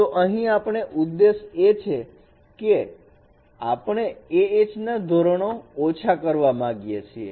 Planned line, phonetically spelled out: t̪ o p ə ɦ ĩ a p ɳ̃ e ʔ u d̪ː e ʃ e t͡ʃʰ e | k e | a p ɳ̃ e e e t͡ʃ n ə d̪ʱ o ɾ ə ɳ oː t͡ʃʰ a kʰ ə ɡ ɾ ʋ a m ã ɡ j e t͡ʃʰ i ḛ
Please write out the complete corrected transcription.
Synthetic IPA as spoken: t̪ o ʔ ə ɦ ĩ a p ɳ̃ e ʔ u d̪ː e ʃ e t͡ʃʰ e | k e | a p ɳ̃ e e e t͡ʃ n a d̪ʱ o ɾ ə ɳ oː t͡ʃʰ a k ə ɾ ʋ a m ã ɡ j e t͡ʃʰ i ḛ